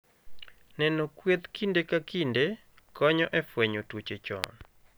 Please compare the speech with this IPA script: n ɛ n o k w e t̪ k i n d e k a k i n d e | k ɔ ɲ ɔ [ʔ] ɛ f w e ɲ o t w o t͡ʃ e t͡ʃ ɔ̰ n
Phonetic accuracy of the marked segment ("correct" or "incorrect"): correct